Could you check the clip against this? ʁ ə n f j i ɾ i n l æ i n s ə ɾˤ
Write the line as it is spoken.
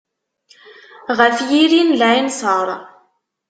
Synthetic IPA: ʁ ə f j i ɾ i n l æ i n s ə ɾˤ

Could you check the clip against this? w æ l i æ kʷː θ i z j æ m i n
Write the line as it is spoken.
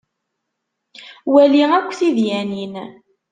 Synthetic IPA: w æ l i æ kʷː θ i ð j æ n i n

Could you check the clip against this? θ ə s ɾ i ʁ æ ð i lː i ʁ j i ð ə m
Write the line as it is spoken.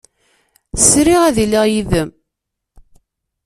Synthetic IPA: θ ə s ɾ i ʁ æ ð i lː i ʁ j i ð ə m

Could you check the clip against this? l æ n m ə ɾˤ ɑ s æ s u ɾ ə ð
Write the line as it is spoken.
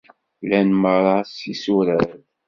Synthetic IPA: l æ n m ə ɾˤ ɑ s i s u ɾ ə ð

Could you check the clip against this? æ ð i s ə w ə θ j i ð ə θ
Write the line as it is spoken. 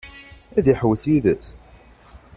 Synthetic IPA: æ ð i ħ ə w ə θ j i ð ə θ

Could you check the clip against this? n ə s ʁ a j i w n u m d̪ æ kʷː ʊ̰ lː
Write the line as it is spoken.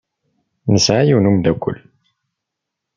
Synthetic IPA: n ə s ʕ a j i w n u m d̪ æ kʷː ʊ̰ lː

